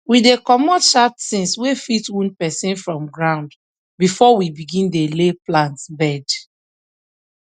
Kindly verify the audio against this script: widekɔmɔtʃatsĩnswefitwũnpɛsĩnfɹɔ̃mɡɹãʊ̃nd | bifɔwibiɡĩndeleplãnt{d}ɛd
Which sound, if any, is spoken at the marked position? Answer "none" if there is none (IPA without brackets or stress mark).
b